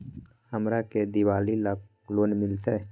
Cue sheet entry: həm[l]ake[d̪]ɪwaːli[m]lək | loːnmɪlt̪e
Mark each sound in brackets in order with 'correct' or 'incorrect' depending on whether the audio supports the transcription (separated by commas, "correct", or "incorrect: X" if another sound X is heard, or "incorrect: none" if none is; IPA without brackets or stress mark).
incorrect: ɾ, correct, incorrect: none